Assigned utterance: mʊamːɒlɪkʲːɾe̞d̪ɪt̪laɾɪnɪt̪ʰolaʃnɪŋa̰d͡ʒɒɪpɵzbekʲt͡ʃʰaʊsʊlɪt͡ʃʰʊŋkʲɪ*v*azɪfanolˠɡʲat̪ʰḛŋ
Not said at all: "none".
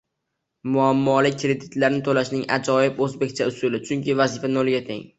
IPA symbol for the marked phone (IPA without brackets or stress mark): v